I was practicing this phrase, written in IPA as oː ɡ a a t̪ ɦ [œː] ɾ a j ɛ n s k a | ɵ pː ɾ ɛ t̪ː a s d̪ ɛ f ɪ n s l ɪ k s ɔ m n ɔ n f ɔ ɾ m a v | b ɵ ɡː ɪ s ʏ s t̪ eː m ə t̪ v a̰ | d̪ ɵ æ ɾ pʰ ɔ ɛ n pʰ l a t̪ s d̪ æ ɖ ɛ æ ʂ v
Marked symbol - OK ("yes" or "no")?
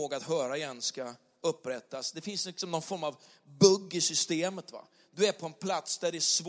yes